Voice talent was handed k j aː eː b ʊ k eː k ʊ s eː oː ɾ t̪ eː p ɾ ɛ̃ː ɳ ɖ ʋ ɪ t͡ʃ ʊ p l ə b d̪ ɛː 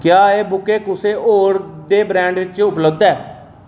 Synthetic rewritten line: k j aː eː b ʊ k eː k ʊ s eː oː ɾ d̪ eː b ɾ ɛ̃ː ɳ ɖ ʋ ɪ t͡ʃ ʊ p l ə b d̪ ɛː